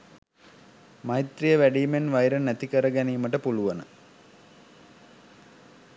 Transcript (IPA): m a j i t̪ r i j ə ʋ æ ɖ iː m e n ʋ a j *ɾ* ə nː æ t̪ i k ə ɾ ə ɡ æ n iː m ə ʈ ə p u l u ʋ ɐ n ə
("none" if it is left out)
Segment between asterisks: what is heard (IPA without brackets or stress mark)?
ɾ